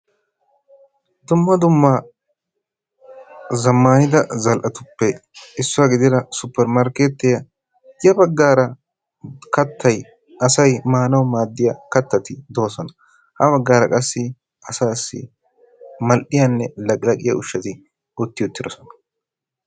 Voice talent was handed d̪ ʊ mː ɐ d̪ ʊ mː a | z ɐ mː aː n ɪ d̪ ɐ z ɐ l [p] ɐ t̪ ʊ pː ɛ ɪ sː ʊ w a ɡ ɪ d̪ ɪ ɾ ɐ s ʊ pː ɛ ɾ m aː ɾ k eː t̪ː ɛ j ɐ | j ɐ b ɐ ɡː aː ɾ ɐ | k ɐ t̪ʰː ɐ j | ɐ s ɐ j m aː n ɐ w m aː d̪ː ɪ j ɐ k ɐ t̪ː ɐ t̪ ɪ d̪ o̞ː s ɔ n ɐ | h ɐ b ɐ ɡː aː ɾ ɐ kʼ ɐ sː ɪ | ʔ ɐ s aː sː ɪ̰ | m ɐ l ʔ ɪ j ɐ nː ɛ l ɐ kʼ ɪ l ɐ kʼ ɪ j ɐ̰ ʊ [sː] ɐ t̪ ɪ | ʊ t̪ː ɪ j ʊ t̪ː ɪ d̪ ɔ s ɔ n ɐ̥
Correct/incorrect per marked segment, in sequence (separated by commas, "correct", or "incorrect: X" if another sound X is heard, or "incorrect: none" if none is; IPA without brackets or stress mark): incorrect: ʔ, incorrect: ʃː